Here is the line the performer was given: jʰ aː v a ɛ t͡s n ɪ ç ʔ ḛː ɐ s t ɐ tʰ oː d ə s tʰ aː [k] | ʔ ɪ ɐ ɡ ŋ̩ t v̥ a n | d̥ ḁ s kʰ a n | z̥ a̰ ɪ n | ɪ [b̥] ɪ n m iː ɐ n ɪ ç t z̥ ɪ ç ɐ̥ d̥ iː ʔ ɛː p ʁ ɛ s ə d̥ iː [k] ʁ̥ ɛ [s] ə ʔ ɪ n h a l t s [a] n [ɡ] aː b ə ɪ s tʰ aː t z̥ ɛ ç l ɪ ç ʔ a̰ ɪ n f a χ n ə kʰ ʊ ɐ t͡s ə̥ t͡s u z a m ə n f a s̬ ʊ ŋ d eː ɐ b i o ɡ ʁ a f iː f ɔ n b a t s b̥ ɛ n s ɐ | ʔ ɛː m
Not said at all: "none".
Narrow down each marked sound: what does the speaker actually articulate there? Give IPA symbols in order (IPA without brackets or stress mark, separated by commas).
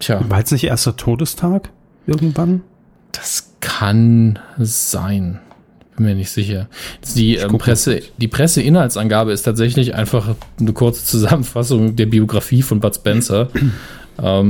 k, b̥, p, s, a, ɡ